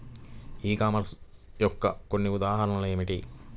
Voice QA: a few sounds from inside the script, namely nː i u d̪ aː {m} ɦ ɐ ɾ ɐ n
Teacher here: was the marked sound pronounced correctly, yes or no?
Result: no